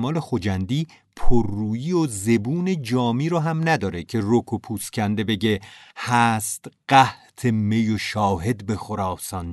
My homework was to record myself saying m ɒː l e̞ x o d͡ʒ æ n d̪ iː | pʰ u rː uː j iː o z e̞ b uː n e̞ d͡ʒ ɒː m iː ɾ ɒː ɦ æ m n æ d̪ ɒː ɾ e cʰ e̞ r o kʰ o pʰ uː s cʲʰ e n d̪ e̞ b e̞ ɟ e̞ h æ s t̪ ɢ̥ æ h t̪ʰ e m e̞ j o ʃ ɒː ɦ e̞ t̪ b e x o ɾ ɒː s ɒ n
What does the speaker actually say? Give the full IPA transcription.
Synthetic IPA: m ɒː l e̞ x o d͡ʒ æ n d̪ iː | pʰ o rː uː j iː o z e̞ b uː n e̞ d͡ʒ ɒː m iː ɾ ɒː ɦ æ m n æ d̪ ɒː ɾ e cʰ e̞ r o kʰ o pʰ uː s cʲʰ æ n d̪ e̞ b e̞ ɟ e̞ h æ s t̪ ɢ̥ æ h t̪ʰ e m e̞ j o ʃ ɒː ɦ e̞ d̪ b e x o ɾ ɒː s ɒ n